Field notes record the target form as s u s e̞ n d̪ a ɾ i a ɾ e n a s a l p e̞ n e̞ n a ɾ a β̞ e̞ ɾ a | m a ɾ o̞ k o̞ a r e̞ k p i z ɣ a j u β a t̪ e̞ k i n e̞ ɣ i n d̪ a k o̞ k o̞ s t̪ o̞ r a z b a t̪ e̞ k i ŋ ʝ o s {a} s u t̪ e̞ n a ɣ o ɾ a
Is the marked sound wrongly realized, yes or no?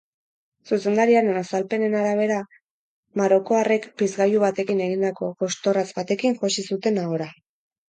yes